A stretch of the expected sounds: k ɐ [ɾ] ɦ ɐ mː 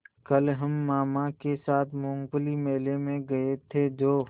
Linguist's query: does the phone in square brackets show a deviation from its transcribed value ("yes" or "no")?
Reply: yes